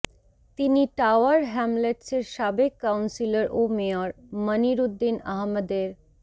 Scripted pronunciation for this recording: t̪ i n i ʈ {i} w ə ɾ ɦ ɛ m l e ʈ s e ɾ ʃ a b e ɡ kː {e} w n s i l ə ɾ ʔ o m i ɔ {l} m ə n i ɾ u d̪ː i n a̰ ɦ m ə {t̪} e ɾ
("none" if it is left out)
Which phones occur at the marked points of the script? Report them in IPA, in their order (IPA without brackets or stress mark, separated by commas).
a, a, ɾ, d̪